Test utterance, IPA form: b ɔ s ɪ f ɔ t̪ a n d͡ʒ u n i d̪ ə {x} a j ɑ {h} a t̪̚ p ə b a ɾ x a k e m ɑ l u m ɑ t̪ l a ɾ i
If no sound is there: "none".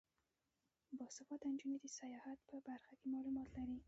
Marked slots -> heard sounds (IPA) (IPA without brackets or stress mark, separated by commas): s, h